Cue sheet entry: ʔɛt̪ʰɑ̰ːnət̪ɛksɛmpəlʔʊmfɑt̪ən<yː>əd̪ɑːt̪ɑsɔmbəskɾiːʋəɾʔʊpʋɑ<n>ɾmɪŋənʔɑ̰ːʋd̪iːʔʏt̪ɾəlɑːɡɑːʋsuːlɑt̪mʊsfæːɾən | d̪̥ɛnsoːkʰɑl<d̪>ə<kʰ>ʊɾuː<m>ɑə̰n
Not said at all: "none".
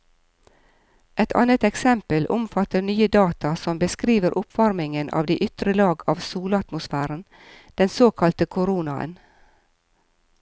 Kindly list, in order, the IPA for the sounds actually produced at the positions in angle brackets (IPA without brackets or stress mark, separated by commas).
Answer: yː, none, t̪, kʰ, n